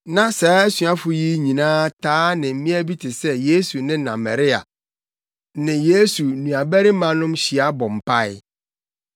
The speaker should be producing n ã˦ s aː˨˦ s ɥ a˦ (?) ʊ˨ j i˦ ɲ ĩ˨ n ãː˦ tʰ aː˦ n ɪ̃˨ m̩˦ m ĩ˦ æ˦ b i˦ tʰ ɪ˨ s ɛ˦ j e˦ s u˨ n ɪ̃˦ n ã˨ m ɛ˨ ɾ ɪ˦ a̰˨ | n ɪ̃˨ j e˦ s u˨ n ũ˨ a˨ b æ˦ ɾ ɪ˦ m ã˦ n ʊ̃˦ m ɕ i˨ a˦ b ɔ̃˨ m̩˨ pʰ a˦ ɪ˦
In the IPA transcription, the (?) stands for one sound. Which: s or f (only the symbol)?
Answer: f